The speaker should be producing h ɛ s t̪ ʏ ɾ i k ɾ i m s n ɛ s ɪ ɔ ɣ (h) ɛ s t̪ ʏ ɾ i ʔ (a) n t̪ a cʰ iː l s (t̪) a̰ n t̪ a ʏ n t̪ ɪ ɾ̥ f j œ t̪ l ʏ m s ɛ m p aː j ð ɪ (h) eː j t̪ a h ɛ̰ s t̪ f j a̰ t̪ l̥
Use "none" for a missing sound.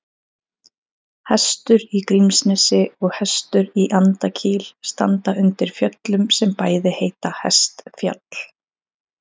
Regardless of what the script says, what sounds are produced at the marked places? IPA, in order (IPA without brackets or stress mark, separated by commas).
h, a, t̪, h